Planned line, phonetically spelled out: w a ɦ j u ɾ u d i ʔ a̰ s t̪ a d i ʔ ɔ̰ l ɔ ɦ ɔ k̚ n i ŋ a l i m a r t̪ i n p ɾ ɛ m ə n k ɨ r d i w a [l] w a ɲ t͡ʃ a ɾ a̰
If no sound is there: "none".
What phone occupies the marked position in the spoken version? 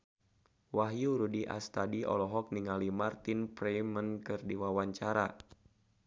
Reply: none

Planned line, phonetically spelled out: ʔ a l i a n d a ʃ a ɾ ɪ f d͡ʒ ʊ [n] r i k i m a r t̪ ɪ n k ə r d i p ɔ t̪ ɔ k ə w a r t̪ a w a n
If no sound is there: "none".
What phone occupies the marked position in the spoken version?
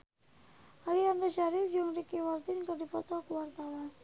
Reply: ŋ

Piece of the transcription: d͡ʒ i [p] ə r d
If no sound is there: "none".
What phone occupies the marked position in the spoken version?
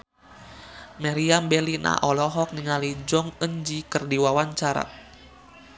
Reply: k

